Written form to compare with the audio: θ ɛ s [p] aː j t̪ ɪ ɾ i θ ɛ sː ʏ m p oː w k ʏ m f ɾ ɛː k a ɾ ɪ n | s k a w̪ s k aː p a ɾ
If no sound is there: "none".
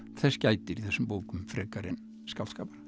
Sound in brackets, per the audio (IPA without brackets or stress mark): c